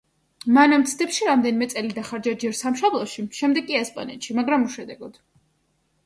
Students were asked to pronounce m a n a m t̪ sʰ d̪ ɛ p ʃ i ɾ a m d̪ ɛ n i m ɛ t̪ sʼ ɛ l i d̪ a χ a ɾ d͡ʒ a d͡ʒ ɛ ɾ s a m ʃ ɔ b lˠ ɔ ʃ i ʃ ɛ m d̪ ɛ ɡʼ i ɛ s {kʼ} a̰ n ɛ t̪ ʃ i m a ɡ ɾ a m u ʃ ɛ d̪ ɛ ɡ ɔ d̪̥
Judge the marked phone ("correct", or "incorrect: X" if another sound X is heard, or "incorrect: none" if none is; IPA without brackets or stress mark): incorrect: pʼ